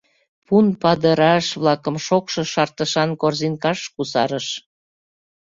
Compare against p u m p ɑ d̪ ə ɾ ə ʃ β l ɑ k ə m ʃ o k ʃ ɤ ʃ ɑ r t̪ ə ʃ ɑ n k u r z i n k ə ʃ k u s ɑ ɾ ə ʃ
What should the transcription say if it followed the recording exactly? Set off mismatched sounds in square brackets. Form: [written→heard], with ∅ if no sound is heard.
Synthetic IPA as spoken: p u [m→n] p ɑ d̪ ə ɾ [ə→ɑ] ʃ β l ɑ k ə m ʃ o k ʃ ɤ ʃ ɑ r t̪ ə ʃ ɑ n k [u→o] r z i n k [ə→ɑ] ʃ k u s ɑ ɾ ə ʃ